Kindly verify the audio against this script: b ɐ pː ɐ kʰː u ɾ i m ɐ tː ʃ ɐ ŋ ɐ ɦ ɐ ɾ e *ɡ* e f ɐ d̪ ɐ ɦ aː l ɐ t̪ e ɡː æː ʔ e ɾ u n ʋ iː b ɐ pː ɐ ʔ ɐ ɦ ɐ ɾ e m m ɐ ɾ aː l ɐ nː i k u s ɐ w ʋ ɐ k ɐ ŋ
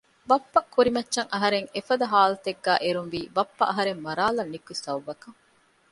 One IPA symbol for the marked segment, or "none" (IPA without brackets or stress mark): ŋ